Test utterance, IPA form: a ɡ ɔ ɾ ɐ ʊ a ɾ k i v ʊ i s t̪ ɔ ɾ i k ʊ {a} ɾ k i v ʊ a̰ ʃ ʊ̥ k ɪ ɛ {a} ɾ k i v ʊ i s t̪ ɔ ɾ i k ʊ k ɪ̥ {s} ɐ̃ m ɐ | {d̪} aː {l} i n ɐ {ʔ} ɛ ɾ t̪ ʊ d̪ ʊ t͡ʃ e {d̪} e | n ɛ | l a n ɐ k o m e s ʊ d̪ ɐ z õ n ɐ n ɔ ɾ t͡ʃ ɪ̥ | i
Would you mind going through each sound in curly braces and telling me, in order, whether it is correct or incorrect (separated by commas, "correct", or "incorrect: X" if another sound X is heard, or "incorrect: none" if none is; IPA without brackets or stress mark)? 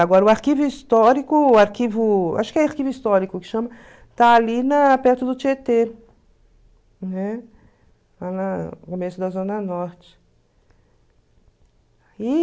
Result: correct, correct, incorrect: ʃ, incorrect: t̪, correct, incorrect: p, incorrect: t̪